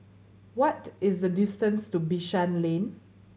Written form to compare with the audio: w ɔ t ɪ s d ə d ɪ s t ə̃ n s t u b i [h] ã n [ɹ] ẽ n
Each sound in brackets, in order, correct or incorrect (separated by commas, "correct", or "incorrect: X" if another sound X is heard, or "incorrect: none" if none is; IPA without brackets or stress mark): incorrect: ʃ, incorrect: l